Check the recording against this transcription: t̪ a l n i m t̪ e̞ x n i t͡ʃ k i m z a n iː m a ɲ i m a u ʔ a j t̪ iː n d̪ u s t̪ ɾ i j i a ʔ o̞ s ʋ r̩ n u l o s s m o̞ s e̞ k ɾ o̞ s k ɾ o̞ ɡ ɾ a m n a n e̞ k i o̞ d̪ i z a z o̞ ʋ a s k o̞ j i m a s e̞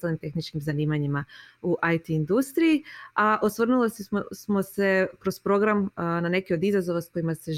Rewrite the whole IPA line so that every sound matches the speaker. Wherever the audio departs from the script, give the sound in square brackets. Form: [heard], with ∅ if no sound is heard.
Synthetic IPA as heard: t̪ a l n i m t̪ e̞ x n i t͡ʃ k i m z a n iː m a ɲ i m a u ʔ a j t̪ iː n d̪ u s t̪ ɾ i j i a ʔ o̞ s ʋ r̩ n u l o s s m o̞ s e̞ k ɾ o̞ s [p] ɾ o̞ ɡ ɾ a m n a n e̞ k i o̞ d̪ i z a z o̞ ʋ a s k o̞ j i m a s e̞